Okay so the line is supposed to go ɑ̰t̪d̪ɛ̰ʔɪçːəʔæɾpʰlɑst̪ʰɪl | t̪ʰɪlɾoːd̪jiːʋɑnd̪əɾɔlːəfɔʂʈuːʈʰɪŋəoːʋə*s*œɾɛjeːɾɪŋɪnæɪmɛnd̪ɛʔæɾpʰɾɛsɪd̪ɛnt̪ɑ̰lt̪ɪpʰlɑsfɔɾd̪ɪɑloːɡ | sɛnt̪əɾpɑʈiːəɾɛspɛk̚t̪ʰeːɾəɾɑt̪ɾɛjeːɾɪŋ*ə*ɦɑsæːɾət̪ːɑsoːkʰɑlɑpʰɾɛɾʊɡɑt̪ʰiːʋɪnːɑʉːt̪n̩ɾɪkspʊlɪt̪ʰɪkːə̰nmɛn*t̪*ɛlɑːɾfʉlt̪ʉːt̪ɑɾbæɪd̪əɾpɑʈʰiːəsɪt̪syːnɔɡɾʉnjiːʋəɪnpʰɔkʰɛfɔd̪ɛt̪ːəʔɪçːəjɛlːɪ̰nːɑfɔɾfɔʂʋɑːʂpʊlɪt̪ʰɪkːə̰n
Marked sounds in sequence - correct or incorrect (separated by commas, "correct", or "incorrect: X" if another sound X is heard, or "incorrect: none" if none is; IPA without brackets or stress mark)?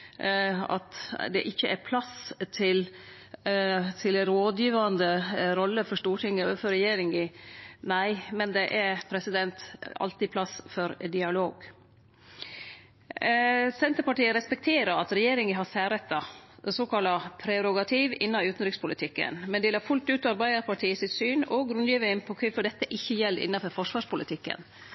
incorrect: f, correct, incorrect: d̪